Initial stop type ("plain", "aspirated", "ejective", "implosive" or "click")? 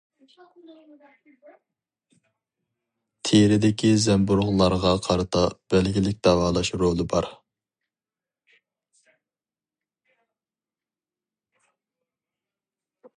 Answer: aspirated